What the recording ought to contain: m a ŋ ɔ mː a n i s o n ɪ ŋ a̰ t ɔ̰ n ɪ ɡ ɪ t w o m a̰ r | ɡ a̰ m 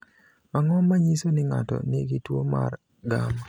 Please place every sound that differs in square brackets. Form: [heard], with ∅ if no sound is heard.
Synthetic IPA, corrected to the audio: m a ŋ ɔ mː a [ɲ] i s o n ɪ ŋ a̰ t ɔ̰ n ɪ ɡ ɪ t w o m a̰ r | ɡ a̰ m